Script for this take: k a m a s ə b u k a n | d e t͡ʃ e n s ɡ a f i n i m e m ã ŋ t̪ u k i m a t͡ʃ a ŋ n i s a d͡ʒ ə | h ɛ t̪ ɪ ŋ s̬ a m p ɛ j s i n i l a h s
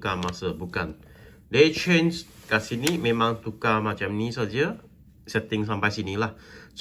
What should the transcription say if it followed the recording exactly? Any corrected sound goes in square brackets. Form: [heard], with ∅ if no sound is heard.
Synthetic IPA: k a m a s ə b u k a n | d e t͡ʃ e n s [k] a [s] i n i m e m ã ŋ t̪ u k [a] m a t͡ʃ a [m] n i s a d͡ʒ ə | [s] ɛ t̪ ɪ ŋ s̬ a m p [a] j s i n i l a h s

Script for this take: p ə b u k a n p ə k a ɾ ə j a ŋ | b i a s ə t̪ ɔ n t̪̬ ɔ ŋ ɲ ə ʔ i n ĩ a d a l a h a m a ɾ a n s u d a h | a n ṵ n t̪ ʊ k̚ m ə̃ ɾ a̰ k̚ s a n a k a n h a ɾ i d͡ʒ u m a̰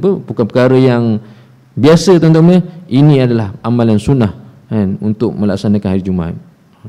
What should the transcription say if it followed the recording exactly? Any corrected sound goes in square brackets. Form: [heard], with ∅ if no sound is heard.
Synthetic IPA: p ə b u k a n p ə k a ɾ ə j a ŋ | b i a s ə t̪ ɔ n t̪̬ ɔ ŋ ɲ ə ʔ i n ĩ a d a l a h a m a [l] a n s u [n] a h | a n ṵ n t̪ ʊ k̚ m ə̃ [l] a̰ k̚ s a n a k a n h a ɾ i d͡ʒ u m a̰

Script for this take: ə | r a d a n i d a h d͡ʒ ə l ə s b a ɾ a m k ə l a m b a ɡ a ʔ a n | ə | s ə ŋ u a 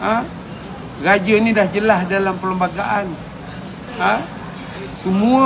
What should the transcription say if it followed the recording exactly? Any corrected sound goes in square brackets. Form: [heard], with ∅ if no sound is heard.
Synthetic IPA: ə | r a [d͡ʒ] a n i d a h d͡ʒ ə l [a] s [d] a [l] a m [p] ə l [ə] m b a ɡ a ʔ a n | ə | s ə [m] u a

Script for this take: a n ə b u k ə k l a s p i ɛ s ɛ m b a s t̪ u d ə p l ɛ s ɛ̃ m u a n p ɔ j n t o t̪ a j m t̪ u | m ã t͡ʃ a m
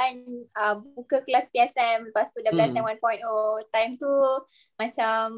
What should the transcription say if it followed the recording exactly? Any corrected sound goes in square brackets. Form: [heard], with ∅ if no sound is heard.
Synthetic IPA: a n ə b u k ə k l a s p i ɛ s ɛ m [p] a s t̪ u d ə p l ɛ s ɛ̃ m [w] a n p ɔ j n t o t̪ a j m t̪ u | m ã t͡ʃ a m

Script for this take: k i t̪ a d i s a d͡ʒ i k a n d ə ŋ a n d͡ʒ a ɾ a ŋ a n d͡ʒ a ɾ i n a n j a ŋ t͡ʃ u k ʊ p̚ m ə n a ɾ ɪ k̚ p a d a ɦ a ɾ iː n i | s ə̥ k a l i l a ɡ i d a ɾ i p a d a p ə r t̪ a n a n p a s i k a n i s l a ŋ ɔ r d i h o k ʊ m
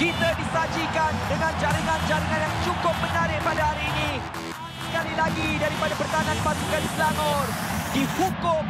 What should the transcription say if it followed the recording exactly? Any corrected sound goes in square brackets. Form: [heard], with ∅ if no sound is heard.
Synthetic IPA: k i t̪ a d i s a d͡ʒ i k a n d ə ŋ a n d͡ʒ a ɾ [i] ŋ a n d͡ʒ a ɾ i [ŋ] a n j a ŋ t͡ʃ u k ʊ p̚ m ə n a ɾ ɪ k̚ p a d a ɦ a ɾ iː n i | s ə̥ k a l i l a ɡ i d a ɾ i p a d a p ə r t̪ a n a n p a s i k a n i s l a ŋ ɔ r d i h [u] k ʊ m

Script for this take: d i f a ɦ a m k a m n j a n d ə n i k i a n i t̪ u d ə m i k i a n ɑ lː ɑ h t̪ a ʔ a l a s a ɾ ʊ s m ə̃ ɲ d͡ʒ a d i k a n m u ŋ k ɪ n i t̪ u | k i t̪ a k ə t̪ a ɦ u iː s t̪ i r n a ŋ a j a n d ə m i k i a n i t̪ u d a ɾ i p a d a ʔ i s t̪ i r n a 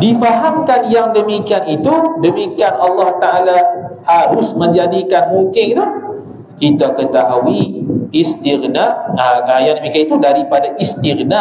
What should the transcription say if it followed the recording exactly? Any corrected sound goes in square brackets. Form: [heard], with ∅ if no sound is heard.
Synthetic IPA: d i f a ɦ a m k a [∅] n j a [ŋ] d ə [m] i k i a n i t̪ u d ə m i k i a n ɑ lː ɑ h t̪ a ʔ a l a [h] a ɾ ʊ s m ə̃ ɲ d͡ʒ a d i k a n m u ŋ k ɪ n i t̪ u | k i t̪ a k ə t̪ a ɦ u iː s t̪ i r n a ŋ a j a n d ə m i k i a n i t̪ u d a ɾ i p a d a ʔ i s t̪ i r n a

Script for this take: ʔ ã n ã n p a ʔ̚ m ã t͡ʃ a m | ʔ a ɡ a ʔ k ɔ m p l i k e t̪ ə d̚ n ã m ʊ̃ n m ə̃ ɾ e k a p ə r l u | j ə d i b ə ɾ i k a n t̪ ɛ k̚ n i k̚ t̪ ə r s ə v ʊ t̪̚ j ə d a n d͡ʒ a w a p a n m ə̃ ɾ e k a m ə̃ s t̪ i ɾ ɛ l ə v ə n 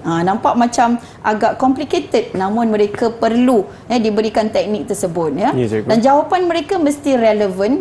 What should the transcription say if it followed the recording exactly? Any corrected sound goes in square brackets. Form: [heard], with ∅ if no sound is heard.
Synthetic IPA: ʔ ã n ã [m] p a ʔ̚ m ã t͡ʃ a m | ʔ a ɡ a ʔ k ɔ m p l i k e t̪ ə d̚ n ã m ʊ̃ n m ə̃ ɾ e k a p ə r l u | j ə d i b ə ɾ i k a n t̪ ɛ k̚ n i k̚ t̪ ə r s ə [b] ʊ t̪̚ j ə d a n d͡ʒ a w a p a n m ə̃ ɾ e k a m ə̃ s t̪ i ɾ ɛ l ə v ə n

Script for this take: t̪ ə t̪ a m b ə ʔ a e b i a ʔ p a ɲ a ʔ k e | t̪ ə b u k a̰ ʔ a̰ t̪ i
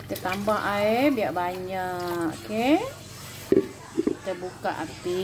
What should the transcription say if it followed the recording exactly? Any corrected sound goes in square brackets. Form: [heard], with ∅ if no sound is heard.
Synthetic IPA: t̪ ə t̪ a m b [a] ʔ a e b i a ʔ [b] a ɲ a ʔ k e | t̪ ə b u k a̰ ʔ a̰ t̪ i

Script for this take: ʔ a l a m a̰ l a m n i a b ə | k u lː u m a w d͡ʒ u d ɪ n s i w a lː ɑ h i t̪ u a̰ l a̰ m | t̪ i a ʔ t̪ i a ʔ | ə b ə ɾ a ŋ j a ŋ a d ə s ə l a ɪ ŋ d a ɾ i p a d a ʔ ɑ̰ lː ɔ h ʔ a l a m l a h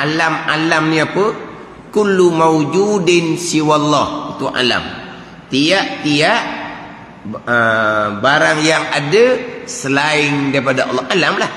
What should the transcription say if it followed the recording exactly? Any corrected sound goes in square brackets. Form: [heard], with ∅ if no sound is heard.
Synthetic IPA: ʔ a l a m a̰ l a m n i a [p] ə | k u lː u m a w d͡ʒ u d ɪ n s i w a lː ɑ h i t̪ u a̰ l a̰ m | t̪ i a ʔ t̪ i a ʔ | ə b [a] ɾ a ŋ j a ŋ a d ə s ə l a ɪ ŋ d a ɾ i p a d a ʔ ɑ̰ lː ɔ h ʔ a l a m l a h

